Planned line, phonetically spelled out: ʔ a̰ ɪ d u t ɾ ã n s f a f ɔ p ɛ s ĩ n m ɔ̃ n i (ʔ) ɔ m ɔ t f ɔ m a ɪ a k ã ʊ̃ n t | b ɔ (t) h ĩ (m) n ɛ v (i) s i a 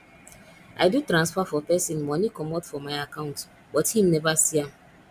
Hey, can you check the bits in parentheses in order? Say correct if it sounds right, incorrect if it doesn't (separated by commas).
incorrect, correct, correct, incorrect